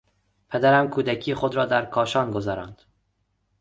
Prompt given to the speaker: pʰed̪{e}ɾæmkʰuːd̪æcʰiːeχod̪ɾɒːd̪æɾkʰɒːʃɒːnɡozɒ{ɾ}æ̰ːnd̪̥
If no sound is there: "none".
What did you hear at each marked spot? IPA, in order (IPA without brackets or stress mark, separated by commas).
æ, ɾ